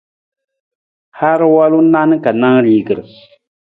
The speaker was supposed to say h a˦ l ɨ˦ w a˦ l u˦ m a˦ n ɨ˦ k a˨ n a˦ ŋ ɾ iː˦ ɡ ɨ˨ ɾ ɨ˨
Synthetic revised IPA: h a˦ ɾ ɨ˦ w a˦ l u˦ n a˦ n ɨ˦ k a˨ n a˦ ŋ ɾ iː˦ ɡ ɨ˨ ɾ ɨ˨

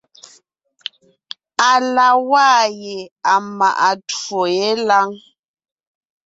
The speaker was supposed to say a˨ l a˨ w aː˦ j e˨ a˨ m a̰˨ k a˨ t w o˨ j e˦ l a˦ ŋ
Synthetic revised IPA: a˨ l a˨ w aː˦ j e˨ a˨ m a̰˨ ʔ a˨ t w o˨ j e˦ l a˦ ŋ

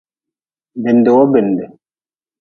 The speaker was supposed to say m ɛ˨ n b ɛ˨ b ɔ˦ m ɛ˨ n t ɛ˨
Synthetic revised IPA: b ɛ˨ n d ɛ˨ w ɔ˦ b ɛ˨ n d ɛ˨

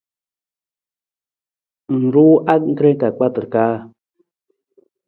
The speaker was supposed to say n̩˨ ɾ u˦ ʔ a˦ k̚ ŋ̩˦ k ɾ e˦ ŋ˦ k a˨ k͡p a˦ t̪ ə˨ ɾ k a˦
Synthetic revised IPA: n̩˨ ɾ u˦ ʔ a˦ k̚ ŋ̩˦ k ɾ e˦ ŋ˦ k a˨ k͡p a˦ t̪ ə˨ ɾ k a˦

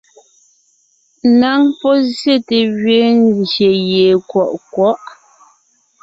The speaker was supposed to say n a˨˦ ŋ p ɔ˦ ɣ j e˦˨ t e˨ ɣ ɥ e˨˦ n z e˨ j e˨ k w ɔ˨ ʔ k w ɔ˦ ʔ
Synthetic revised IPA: n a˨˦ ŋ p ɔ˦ z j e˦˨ t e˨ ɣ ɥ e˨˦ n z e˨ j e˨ k w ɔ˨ ʔ k w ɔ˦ ʔ

